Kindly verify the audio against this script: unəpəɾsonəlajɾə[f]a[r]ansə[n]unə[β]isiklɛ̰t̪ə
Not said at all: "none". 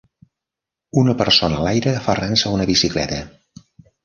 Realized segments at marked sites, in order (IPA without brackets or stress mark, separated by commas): f, r, none, β